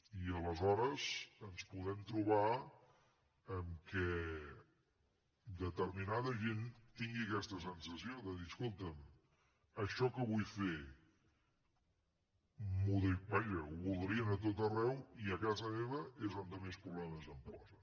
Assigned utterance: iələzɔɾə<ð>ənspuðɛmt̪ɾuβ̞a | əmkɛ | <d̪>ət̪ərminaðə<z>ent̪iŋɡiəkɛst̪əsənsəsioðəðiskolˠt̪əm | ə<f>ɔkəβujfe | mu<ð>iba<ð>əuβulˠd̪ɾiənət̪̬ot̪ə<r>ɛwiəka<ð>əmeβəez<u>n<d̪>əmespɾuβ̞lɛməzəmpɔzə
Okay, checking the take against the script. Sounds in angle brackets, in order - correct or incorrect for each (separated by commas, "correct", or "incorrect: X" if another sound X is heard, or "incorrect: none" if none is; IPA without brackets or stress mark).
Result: incorrect: z, correct, incorrect: ʒ, incorrect: ʃ, correct, incorrect: ʒ, correct, incorrect: z, incorrect: o, correct